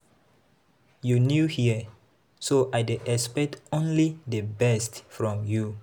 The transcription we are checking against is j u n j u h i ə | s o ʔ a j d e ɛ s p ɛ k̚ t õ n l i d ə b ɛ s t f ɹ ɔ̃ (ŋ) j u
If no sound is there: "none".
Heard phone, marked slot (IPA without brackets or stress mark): m